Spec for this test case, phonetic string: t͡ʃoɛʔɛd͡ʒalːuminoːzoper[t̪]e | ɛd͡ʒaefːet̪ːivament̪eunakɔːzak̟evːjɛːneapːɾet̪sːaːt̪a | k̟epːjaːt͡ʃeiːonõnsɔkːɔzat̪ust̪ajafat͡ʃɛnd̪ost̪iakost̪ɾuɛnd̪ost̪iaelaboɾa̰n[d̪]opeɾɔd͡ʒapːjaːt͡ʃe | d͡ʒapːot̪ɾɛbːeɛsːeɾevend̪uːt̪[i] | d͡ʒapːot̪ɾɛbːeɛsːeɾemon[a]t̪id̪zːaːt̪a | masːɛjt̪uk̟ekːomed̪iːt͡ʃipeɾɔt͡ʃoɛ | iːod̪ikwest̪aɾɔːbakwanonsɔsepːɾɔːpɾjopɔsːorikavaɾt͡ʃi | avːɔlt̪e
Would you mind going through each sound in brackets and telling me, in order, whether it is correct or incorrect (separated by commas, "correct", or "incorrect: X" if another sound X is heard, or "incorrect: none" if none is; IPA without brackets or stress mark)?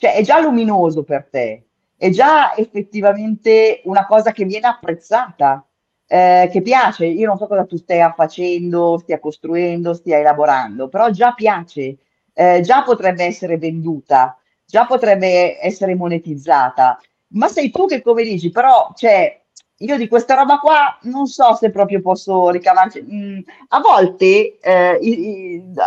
correct, correct, incorrect: a, incorrect: e